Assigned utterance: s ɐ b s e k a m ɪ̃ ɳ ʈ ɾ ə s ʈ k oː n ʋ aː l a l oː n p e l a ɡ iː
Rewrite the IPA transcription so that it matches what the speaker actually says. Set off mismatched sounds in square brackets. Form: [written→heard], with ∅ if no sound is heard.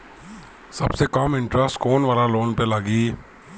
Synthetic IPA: s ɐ b s e k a m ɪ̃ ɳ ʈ ɾ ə s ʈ k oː n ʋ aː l a l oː n p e l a ɡ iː